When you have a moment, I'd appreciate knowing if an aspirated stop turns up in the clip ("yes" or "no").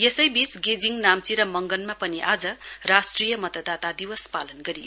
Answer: no